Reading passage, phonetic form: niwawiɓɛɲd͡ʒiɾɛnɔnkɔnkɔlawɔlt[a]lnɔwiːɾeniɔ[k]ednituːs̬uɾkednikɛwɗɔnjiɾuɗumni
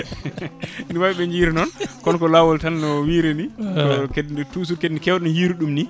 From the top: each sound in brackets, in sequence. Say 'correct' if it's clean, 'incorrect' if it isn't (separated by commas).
correct, correct